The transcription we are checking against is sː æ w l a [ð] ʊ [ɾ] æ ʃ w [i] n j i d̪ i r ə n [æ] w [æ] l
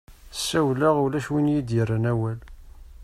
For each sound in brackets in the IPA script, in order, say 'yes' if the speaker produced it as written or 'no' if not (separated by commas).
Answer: no, no, yes, yes, yes